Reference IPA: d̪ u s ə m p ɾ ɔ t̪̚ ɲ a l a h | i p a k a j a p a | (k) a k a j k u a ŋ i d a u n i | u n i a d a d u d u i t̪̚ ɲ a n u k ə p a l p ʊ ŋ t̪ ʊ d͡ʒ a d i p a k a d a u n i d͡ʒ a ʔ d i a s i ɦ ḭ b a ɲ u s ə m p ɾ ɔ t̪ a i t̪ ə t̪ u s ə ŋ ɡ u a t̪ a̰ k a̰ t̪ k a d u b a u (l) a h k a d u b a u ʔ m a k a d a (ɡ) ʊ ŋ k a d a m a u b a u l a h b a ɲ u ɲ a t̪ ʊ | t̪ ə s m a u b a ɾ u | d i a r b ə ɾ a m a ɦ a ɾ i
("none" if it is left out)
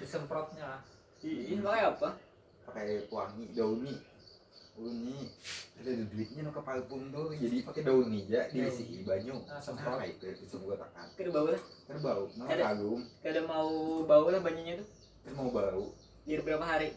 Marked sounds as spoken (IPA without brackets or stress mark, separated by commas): p, l, ɡ